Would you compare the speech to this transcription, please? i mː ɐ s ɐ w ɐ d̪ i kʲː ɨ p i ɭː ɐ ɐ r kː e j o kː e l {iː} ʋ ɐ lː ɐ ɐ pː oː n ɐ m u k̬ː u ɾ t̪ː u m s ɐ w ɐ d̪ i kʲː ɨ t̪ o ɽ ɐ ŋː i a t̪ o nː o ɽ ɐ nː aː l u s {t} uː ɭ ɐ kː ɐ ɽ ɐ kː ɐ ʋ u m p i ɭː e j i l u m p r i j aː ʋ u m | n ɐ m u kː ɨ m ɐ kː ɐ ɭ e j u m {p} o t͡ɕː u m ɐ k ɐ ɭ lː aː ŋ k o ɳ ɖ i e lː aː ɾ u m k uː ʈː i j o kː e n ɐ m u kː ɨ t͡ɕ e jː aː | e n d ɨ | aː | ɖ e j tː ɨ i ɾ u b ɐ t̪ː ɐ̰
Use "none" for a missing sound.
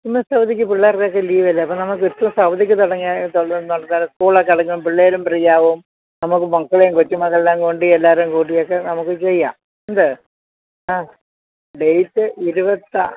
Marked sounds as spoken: iː, k, k

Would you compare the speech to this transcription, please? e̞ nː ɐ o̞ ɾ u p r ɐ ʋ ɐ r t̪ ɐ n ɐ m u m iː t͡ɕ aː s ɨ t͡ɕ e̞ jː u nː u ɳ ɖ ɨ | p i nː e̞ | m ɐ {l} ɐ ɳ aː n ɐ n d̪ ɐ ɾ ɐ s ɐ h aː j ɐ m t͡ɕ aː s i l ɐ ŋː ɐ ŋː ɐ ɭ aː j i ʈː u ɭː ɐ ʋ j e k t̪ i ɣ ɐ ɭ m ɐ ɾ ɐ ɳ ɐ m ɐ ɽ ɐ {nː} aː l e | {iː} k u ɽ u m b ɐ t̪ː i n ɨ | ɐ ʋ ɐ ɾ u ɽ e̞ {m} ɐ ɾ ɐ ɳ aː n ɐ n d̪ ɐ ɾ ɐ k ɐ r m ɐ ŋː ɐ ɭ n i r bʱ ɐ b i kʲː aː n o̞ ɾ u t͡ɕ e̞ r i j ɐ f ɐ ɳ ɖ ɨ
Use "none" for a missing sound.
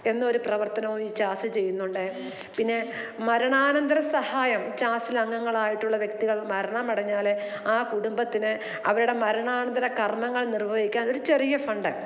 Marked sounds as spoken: ɾ, ɲː, aː, m

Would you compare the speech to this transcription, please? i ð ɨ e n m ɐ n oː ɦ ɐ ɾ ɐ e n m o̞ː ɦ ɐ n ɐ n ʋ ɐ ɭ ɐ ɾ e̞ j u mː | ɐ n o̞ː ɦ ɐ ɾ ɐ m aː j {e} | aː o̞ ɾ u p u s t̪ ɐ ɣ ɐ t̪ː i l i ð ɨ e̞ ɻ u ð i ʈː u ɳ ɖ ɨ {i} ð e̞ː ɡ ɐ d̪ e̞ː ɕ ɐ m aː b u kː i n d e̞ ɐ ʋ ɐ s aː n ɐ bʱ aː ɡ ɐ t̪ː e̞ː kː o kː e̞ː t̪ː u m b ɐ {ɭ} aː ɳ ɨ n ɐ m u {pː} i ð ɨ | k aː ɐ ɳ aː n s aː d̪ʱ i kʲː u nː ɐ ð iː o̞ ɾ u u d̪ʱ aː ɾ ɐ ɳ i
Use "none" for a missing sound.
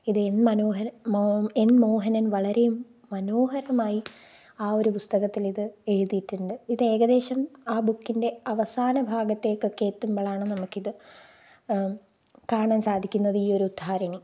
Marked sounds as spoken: i, i, ɭ, kː

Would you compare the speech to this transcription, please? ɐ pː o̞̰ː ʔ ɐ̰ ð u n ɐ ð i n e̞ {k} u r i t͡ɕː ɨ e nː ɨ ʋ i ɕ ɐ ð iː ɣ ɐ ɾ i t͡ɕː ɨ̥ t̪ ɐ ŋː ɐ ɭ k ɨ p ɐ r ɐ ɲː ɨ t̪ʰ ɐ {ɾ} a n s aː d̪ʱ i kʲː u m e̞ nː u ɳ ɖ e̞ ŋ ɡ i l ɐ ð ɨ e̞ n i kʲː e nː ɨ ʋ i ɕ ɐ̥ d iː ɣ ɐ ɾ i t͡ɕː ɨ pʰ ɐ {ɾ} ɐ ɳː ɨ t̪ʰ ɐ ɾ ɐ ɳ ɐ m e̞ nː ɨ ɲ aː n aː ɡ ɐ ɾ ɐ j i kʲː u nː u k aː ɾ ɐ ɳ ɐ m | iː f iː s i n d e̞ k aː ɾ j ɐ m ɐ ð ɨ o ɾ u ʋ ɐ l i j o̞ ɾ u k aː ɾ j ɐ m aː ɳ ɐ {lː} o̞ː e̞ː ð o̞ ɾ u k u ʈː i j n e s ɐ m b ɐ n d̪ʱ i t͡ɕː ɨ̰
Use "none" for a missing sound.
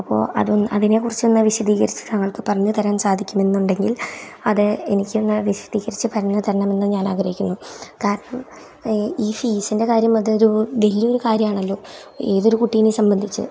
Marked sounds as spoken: k, ɾ, ɾ, lː

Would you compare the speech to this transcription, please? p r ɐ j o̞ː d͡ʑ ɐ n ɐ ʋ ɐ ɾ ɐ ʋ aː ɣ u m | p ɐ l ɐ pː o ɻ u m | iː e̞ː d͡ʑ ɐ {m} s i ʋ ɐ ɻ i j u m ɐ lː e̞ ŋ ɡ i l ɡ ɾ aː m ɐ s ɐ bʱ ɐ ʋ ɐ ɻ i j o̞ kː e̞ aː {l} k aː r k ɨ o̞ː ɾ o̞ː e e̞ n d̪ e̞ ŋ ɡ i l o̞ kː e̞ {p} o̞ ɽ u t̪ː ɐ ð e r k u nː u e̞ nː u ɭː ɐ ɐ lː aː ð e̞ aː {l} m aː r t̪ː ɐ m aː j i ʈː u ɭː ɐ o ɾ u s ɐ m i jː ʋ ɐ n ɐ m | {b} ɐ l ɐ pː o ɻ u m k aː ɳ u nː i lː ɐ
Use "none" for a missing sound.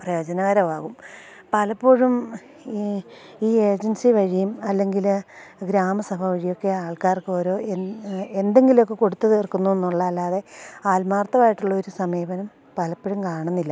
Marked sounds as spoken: n, ɭ, k, l, p

